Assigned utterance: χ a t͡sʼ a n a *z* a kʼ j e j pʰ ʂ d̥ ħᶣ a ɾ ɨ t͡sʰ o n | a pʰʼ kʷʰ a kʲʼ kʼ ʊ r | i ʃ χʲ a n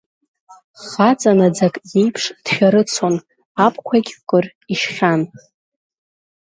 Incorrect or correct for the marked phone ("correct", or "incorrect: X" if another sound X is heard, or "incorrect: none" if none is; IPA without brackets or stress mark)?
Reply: incorrect: d͡z